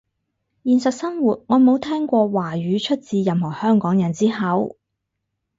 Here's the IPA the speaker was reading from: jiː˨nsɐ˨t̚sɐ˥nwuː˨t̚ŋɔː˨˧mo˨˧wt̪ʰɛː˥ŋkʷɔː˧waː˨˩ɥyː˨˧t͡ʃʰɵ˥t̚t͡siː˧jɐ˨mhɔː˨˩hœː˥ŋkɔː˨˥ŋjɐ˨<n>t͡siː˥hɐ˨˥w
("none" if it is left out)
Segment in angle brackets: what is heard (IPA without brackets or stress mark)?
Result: n